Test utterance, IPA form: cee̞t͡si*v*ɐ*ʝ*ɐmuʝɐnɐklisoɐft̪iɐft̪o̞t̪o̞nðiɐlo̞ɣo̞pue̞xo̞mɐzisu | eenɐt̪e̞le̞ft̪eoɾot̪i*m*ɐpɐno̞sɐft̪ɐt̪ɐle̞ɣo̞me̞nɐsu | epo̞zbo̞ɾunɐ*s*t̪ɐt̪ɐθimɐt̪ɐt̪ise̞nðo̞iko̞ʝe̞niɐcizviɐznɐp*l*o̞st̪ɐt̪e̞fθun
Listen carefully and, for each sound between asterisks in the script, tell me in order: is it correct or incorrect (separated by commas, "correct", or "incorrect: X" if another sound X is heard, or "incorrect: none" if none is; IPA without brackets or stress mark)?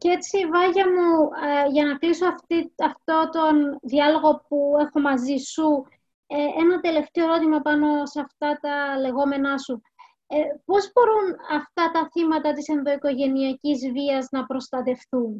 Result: correct, correct, correct, incorrect: f, incorrect: ɾ